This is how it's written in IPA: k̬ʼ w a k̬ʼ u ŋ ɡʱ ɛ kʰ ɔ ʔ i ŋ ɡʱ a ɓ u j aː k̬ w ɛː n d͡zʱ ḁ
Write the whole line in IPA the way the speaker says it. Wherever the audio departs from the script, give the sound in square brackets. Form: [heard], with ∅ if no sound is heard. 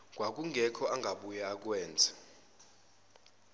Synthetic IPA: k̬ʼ w a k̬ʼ u ŋ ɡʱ ɛ kʰ ɔ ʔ [a] ŋ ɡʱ a ɓ u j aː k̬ w ɛː n d͡zʱ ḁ